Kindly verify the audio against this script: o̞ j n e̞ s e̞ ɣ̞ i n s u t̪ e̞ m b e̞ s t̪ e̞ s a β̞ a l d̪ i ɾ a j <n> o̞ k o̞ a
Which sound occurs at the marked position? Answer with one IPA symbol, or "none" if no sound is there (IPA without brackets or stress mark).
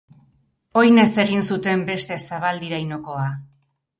n